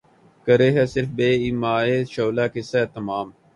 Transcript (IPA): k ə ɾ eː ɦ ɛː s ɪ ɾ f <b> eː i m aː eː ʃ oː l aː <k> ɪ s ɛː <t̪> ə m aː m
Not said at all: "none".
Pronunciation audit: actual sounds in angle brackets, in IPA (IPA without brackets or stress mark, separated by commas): b, k, t̪